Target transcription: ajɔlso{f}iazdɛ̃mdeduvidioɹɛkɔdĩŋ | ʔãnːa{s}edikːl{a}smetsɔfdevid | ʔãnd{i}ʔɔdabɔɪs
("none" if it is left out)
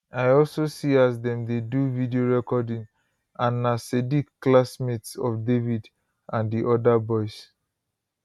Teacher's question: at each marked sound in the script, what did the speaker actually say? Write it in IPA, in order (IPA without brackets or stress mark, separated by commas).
s, s, a, i